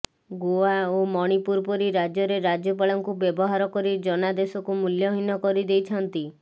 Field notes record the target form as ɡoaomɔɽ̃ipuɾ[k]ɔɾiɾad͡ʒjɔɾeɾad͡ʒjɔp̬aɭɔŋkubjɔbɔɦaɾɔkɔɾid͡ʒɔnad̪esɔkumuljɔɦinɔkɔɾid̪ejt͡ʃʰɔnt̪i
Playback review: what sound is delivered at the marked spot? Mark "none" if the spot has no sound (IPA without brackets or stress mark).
p